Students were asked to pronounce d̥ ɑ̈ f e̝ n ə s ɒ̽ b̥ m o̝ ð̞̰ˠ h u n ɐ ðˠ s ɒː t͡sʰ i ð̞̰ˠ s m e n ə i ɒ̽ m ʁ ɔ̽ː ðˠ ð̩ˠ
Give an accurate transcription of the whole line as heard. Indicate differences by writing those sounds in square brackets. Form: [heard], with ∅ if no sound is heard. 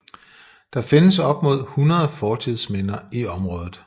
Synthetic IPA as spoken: d̥ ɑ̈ f e̝ n ə s ɒ̽ b̥ m o̝ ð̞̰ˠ h u n ɐ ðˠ [f] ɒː t͡sʰ i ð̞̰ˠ s m e n [ɐ] i ɒ̽ m ʁ ɔ̽ː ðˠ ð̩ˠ